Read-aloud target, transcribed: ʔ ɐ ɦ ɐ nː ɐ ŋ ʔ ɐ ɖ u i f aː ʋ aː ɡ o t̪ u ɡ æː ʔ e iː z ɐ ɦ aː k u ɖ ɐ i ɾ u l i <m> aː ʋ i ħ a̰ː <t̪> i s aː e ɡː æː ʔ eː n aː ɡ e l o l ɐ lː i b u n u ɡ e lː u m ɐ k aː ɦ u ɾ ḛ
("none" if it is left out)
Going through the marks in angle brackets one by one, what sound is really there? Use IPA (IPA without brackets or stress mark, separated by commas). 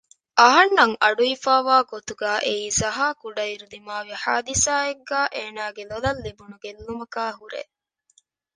m, d̪